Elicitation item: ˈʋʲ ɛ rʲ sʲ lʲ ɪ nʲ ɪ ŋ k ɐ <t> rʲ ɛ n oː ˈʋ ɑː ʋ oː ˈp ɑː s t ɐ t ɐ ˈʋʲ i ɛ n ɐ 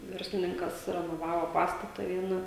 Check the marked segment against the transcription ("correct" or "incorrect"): incorrect